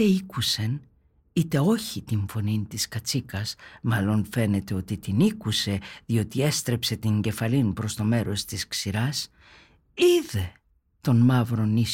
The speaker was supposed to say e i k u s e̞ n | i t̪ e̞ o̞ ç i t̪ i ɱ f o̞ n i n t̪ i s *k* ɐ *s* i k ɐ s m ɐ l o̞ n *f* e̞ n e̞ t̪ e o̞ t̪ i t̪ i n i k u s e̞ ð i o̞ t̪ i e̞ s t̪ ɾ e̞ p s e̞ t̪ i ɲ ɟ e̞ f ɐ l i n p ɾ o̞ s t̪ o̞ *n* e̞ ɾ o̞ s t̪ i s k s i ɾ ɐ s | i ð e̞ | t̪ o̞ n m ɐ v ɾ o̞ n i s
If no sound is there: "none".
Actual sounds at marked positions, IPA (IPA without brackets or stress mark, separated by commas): k, t͡s, f, m